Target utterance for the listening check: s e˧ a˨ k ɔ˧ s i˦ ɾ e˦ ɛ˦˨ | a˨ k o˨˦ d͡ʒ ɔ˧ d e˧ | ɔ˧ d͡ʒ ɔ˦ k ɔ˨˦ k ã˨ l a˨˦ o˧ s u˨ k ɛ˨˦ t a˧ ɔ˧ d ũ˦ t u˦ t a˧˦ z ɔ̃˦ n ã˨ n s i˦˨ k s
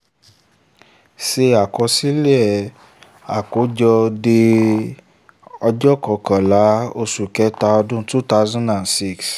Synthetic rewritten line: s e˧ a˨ k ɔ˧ s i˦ l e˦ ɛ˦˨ | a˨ k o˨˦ d͡ʒ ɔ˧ d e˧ | ɔ˧ d͡ʒ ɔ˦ k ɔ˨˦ k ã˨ l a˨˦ o˧ s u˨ k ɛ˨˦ t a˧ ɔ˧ d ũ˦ t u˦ t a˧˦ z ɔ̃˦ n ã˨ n s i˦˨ k s